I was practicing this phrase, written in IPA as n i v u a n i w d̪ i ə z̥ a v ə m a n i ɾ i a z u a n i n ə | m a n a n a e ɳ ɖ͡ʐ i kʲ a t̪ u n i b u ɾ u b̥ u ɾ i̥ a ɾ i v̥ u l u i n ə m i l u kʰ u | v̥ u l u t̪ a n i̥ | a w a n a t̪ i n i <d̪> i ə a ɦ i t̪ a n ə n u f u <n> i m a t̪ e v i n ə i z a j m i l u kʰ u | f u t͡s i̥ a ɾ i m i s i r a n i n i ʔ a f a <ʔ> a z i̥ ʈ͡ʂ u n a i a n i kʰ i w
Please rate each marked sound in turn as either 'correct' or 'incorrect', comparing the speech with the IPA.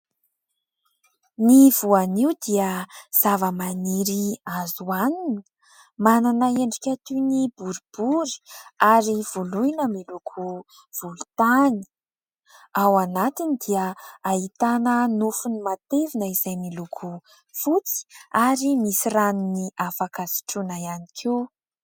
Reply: correct, correct, incorrect: k

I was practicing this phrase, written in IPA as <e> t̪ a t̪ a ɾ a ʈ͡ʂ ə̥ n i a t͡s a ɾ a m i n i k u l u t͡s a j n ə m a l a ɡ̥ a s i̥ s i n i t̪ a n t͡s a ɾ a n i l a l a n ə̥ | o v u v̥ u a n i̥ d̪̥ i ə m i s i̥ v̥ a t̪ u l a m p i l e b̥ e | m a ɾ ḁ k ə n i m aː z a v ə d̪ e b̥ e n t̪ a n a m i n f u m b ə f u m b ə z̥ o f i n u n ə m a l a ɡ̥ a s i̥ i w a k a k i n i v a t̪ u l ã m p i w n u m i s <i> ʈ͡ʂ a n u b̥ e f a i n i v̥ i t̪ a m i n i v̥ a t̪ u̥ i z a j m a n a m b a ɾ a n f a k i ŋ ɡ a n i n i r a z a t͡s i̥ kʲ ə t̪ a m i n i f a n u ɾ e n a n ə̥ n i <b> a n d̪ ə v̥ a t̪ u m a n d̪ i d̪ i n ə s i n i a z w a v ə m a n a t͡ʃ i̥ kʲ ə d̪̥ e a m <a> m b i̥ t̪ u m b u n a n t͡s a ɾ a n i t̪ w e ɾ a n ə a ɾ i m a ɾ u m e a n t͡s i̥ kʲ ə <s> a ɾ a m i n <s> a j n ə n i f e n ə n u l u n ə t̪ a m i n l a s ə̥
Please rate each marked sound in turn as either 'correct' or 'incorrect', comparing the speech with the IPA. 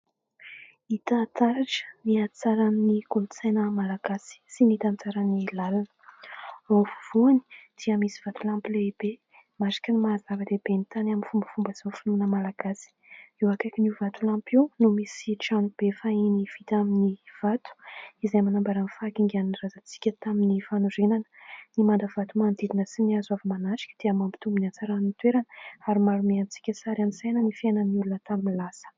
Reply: incorrect: i, correct, incorrect: m, correct, correct, correct

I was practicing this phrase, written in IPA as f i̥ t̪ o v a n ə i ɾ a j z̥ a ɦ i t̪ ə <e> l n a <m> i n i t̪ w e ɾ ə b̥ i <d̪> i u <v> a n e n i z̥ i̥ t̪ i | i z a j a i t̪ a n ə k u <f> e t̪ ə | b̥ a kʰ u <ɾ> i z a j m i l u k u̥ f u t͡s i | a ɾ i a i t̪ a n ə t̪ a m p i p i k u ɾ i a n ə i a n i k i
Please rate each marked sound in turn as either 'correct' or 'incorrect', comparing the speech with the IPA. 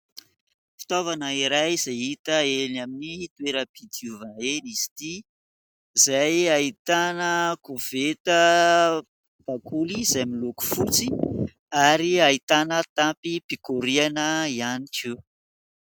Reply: correct, correct, correct, correct, incorrect: v, incorrect: l

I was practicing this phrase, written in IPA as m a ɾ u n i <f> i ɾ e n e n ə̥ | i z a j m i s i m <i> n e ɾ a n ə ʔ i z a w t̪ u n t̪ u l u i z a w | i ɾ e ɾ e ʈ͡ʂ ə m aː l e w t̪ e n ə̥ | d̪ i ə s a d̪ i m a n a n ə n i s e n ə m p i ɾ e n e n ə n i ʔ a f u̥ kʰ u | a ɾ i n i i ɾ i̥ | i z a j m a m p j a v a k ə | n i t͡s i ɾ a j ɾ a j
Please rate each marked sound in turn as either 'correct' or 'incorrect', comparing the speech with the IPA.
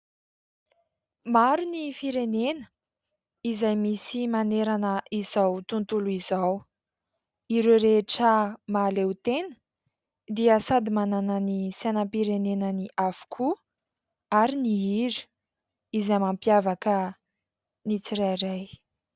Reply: correct, incorrect: a

